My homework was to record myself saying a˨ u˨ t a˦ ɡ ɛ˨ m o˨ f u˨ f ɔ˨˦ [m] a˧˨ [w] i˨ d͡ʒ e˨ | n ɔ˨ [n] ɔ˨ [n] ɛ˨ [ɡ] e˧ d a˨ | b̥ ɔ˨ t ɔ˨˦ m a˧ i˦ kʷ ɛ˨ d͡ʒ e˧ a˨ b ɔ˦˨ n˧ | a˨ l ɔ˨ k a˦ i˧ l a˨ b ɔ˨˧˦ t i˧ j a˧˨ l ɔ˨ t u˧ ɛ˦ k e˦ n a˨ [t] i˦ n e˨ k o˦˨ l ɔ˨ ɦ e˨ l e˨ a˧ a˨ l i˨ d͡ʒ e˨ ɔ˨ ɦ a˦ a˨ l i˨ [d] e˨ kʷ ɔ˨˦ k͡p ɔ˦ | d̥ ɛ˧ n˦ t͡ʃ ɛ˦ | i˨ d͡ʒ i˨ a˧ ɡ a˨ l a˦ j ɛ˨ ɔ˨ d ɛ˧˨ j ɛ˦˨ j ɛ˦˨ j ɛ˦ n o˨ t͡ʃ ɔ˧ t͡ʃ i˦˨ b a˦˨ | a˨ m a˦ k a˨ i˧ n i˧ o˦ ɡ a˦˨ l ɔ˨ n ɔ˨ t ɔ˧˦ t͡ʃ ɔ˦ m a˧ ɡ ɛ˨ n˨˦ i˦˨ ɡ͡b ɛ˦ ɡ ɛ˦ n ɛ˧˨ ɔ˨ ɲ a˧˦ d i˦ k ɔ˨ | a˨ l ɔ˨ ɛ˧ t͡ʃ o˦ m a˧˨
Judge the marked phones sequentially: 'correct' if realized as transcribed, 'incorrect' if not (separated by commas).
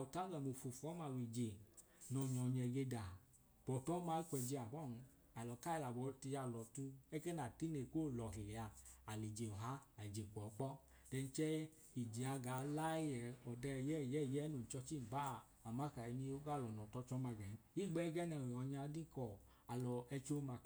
correct, correct, incorrect, incorrect, correct, correct, incorrect